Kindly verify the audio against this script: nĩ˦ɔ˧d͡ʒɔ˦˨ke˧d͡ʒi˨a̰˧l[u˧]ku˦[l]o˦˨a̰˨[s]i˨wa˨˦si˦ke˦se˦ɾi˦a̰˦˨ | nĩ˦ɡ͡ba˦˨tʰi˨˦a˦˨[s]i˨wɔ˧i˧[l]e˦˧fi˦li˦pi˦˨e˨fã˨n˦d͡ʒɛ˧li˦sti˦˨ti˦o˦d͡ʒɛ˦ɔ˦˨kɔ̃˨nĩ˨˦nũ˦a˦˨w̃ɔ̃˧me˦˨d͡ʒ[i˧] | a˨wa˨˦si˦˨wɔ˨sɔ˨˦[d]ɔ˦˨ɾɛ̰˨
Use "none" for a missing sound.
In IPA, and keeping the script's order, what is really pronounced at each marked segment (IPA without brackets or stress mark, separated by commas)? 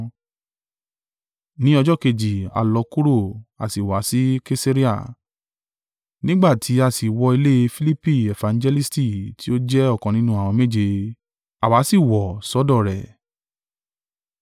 ɔ˧, ɾ, s, s, l, e˧, d